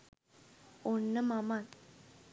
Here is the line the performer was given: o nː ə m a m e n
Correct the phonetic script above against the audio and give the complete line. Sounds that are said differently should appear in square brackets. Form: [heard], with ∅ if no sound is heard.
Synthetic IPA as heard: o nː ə m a m [a] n